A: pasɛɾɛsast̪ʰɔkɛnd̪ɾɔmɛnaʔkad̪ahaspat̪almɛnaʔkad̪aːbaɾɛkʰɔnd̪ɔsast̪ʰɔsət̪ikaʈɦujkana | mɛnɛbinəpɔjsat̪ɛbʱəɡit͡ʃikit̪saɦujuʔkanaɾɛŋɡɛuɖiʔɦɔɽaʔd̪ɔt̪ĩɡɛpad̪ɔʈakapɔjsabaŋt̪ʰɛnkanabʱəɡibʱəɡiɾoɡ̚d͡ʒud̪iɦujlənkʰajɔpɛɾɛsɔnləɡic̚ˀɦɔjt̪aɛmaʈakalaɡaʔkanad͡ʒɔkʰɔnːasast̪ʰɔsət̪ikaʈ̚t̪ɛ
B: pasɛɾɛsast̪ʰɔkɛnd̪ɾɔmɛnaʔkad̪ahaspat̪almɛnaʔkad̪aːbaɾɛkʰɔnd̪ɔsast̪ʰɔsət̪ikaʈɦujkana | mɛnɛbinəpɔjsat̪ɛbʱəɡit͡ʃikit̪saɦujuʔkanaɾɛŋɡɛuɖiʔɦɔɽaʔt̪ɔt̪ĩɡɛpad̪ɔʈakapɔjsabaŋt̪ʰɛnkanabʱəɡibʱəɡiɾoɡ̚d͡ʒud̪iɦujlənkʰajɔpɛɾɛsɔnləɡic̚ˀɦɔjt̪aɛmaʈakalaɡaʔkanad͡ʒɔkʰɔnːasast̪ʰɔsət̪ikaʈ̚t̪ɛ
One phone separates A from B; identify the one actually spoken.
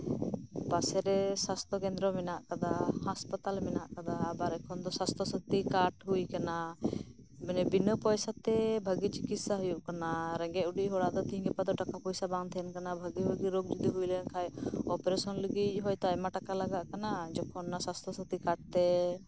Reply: A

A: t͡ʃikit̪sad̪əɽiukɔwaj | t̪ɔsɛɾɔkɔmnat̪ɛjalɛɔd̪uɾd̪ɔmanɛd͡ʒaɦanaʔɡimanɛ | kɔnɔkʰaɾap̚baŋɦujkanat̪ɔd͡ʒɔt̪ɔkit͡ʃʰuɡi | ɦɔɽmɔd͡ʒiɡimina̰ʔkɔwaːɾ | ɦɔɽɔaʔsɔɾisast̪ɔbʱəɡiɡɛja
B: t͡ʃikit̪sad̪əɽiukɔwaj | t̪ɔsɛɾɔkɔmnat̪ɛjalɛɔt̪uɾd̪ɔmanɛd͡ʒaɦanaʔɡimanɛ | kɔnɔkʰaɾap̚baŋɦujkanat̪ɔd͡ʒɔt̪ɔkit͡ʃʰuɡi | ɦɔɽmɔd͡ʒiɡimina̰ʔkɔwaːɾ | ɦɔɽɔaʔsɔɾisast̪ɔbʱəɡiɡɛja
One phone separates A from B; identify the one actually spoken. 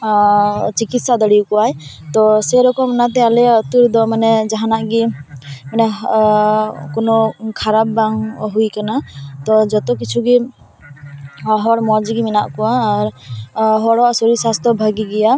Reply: B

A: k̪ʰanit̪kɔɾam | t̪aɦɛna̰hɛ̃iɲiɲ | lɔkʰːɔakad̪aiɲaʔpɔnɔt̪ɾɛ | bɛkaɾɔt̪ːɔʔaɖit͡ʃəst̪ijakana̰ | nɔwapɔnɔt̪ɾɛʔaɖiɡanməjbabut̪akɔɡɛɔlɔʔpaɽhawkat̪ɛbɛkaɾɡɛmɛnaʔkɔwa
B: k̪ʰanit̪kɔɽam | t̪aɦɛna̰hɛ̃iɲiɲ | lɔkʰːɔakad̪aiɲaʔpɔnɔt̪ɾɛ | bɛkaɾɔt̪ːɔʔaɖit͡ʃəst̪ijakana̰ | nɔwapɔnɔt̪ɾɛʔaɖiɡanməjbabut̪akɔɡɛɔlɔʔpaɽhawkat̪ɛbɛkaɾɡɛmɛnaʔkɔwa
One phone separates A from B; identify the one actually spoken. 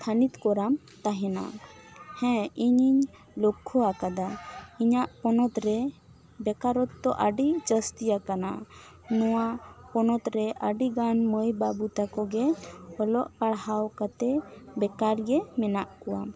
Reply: A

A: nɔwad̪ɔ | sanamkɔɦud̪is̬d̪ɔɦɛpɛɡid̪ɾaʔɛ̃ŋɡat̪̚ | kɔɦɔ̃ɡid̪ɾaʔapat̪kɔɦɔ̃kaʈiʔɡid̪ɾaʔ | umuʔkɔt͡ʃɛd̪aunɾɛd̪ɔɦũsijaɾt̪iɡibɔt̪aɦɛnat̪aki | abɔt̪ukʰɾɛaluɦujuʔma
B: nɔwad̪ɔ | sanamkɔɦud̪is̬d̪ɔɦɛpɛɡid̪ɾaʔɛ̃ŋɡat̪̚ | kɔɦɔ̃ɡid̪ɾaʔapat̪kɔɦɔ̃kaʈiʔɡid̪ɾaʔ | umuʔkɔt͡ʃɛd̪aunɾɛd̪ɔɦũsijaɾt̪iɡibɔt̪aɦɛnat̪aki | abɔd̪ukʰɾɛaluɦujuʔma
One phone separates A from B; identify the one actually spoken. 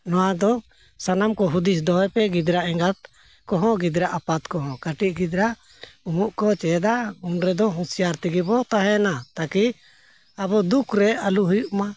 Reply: B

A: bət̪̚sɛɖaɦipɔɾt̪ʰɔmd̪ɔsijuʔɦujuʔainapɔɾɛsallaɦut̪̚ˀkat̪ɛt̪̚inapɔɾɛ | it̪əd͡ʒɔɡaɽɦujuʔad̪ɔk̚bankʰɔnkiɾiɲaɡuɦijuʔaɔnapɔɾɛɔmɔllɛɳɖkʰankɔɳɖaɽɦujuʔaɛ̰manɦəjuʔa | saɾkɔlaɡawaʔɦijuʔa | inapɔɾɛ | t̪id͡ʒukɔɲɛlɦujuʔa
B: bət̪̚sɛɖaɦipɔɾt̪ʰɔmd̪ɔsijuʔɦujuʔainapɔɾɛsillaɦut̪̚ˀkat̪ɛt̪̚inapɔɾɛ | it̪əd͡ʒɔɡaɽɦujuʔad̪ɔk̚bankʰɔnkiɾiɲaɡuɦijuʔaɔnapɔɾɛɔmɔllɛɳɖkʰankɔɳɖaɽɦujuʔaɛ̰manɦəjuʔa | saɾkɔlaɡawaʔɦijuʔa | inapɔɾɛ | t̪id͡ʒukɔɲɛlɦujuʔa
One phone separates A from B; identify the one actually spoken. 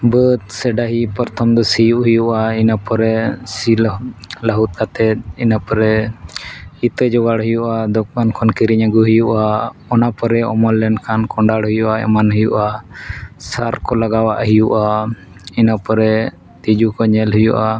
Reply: B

